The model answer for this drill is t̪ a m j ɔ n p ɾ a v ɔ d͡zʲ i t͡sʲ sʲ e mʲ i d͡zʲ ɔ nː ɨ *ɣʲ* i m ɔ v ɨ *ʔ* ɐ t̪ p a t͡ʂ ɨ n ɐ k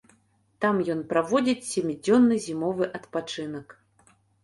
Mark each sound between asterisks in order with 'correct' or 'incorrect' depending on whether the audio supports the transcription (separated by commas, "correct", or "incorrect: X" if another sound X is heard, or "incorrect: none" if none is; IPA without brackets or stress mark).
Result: incorrect: zʲ, correct